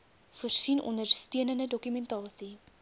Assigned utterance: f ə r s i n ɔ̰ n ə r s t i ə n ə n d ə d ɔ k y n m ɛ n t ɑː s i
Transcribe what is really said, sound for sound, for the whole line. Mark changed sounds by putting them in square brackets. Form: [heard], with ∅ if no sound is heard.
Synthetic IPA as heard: f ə r s i n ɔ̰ n ə r s t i ə n ə n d ə d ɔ k y [∅] m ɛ n t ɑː s i